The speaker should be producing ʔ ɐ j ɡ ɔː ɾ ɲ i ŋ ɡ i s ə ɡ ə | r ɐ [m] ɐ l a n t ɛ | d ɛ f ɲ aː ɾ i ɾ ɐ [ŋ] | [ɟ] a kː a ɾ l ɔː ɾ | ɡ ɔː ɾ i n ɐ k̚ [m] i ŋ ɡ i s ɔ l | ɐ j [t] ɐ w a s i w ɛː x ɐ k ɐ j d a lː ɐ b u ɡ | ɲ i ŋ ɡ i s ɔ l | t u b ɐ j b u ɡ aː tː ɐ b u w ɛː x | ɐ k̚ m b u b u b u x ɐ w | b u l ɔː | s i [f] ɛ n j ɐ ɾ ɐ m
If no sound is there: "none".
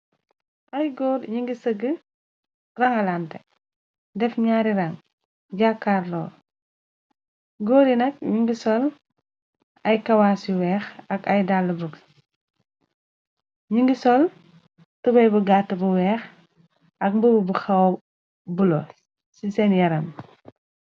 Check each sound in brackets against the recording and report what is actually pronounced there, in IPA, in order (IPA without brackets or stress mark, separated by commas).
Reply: ŋ, ŋ, ɟ, ɲ, k, s